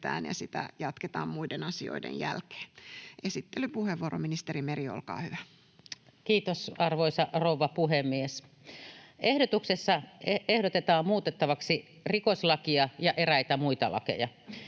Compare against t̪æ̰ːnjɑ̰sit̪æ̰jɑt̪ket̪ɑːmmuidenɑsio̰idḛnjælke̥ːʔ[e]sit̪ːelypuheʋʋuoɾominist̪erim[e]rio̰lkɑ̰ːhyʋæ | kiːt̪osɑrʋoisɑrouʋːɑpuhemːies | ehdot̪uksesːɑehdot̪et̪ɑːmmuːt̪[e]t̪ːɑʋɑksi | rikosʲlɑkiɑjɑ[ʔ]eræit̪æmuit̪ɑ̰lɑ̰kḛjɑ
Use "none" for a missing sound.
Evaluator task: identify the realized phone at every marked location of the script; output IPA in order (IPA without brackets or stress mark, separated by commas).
e, e, e, ʔ